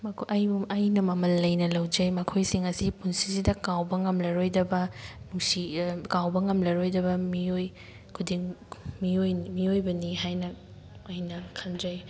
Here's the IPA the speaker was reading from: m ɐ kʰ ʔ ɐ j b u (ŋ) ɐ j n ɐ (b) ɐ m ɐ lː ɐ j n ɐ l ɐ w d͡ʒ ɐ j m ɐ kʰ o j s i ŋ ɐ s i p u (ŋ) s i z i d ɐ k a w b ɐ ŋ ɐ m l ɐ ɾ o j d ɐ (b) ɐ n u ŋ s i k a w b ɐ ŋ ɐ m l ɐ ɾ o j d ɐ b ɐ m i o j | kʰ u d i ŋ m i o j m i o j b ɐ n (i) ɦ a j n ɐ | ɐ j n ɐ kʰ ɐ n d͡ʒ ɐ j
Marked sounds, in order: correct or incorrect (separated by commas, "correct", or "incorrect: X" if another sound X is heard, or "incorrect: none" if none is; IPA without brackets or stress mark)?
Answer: incorrect: m, incorrect: m, incorrect: n, correct, correct